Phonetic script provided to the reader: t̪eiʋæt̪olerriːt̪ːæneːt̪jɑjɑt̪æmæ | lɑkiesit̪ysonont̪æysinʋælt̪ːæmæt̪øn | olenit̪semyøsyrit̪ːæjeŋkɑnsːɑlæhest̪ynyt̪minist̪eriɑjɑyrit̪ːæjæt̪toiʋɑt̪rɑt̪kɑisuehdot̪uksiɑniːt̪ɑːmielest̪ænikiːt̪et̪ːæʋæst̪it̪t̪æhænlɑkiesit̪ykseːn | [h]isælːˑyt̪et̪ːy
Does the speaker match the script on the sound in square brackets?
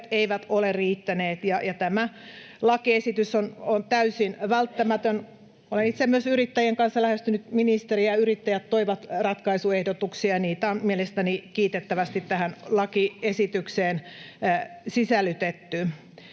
no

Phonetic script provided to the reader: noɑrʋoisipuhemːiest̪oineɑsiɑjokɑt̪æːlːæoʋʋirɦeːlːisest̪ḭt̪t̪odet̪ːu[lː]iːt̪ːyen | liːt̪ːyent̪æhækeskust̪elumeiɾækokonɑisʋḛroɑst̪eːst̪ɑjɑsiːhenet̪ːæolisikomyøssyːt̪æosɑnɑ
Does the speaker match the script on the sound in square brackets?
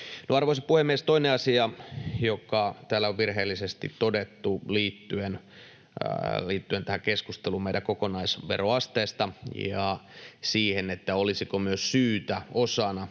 no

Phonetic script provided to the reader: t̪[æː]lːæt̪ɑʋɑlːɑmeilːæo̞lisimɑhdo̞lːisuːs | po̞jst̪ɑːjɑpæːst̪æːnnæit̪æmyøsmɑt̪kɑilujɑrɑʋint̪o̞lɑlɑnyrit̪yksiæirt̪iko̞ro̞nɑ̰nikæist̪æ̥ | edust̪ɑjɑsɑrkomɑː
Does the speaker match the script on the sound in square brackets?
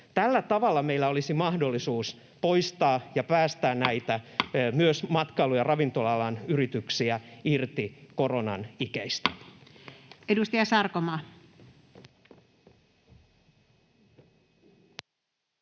no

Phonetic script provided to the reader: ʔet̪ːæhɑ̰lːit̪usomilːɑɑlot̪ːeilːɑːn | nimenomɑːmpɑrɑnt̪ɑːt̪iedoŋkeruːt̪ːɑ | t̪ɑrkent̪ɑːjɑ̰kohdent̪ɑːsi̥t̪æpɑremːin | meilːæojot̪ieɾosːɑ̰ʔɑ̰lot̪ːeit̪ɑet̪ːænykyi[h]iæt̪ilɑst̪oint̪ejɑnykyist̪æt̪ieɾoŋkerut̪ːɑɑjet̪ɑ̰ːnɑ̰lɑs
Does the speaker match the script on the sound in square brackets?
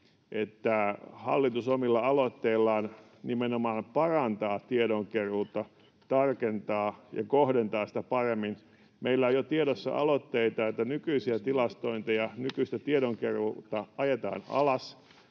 no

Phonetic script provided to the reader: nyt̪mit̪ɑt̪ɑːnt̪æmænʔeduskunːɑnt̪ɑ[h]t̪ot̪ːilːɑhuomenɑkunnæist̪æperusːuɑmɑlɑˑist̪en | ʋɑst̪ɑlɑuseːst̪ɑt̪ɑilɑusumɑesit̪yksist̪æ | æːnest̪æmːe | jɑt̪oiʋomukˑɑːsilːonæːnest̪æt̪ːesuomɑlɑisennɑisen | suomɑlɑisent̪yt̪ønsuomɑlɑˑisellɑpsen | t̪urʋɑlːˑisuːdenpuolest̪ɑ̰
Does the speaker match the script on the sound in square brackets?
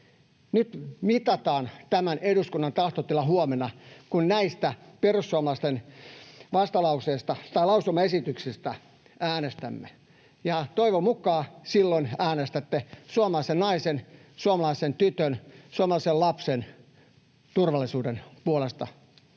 yes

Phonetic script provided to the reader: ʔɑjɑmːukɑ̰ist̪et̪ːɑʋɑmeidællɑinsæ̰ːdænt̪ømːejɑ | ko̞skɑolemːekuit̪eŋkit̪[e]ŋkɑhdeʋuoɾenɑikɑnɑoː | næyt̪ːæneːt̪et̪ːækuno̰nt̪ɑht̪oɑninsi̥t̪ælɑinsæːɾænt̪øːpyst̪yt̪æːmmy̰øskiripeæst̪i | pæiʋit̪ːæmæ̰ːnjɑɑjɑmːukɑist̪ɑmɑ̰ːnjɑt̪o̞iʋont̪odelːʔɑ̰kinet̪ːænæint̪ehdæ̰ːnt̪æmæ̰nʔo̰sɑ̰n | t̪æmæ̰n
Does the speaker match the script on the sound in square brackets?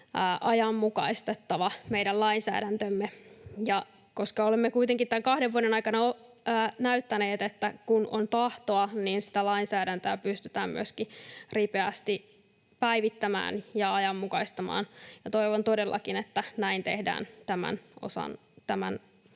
no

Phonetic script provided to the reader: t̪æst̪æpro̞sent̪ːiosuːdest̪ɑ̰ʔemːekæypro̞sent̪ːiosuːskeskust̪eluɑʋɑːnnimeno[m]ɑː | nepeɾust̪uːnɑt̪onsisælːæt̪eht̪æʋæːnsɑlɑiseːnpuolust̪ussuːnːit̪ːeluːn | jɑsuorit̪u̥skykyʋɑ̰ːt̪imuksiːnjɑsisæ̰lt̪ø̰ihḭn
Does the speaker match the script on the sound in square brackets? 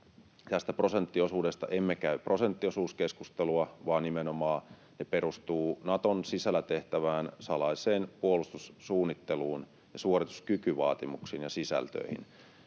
yes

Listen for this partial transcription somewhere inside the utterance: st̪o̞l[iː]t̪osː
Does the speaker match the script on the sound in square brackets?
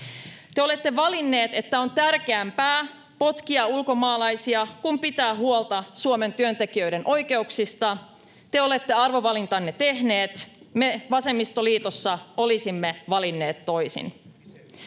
yes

